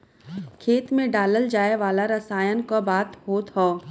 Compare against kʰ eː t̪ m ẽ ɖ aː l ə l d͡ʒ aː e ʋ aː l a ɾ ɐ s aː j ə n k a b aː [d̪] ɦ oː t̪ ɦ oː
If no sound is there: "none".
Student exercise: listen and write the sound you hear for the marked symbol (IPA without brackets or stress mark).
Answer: t̪